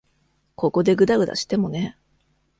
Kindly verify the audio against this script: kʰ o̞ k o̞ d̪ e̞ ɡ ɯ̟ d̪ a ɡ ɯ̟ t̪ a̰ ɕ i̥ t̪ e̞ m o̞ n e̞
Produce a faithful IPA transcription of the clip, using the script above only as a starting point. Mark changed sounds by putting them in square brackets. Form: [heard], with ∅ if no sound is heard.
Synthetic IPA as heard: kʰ o̞ k o̞ d̪ e̞ ɡ ɯ̟ d̪ a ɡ ɯ̟ [d̪] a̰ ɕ i̥ t̪ e̞ m o̞ n e̞